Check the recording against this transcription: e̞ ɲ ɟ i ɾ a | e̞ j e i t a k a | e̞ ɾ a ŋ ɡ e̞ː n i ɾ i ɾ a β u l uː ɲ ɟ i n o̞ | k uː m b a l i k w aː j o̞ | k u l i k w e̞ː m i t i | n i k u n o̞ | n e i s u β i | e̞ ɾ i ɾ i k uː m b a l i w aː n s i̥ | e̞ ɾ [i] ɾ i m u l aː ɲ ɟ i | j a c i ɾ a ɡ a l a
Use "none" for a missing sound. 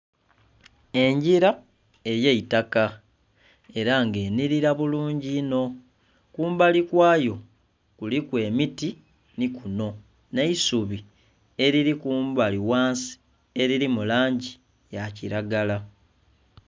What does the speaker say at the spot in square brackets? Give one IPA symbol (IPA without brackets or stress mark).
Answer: i